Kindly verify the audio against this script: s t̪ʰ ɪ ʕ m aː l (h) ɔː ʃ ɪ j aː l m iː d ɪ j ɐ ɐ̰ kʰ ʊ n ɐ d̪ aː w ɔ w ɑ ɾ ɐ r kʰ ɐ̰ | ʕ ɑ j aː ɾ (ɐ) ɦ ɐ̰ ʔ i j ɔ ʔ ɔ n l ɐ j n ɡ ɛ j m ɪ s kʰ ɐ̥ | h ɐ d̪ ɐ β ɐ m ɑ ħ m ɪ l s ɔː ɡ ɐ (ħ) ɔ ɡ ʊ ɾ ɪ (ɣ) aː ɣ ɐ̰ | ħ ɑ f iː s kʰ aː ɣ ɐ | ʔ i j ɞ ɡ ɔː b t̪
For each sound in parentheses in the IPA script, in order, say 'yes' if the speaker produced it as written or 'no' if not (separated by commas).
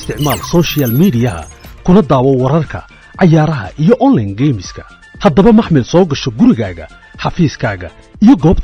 no, yes, no, yes